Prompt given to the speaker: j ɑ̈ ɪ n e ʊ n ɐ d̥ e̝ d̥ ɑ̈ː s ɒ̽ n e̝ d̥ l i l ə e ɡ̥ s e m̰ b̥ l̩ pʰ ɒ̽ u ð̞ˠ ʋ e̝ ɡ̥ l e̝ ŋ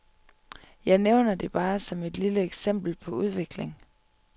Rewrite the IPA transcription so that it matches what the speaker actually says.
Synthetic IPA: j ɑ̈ ɪ n e ʊ n ɐ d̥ e̝ b̥ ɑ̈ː s ɒ̽ m e̝ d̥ l i l ə e ɡ̥ s e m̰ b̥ l̩ pʰ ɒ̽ u ð̞ˠ ʋ e̝ ɡ̥ l e̝ ŋ